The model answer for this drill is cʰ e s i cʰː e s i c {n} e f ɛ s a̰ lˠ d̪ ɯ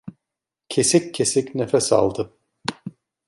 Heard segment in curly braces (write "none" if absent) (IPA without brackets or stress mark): n